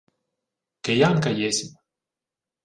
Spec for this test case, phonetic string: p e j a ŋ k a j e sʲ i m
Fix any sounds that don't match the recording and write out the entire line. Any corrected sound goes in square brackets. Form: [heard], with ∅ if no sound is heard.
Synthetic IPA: [k] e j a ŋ k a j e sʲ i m